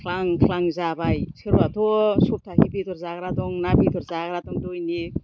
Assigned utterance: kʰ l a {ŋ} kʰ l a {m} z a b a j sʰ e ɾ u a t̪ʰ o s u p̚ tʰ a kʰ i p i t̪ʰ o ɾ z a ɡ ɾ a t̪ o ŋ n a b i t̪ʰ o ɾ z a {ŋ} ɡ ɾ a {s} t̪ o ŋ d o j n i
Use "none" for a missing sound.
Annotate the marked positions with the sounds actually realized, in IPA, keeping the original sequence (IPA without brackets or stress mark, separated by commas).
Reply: ŋ, ŋ, none, none